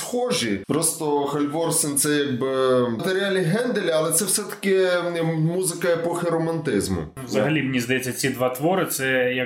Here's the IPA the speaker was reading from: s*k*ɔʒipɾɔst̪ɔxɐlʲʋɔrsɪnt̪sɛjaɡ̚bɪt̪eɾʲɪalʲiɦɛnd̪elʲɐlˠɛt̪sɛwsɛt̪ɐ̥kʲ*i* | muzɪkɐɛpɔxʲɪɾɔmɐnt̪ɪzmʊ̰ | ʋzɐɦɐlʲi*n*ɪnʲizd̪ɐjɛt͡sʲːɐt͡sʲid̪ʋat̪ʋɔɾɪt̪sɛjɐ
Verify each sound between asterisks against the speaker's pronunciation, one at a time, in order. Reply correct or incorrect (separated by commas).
incorrect, incorrect, incorrect